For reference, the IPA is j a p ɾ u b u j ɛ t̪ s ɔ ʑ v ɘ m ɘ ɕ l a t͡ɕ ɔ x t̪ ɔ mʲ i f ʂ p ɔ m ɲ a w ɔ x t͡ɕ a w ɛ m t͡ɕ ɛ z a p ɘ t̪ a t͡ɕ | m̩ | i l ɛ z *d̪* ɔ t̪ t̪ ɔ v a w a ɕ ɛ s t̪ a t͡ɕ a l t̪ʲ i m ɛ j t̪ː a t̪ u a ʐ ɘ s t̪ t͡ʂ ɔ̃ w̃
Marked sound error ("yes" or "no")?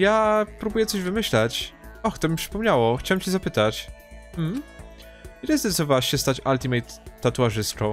no